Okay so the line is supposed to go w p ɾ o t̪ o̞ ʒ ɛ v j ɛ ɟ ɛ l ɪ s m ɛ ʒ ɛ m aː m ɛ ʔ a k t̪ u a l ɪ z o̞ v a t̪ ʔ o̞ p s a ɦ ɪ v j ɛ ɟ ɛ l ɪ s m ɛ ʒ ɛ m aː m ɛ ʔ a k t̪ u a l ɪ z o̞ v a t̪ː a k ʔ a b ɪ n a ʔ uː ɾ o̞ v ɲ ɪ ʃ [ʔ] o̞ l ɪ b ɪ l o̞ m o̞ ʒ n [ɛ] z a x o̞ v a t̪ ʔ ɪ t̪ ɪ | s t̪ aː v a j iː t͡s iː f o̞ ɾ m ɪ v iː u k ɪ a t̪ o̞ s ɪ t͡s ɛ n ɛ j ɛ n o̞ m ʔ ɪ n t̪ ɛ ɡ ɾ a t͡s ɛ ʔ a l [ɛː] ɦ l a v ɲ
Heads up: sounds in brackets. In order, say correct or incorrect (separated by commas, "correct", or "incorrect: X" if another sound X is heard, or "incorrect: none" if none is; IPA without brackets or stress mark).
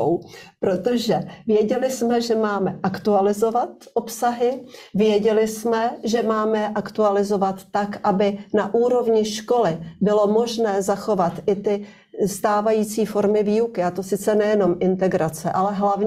incorrect: k, incorrect: ɛː, incorrect: ɛ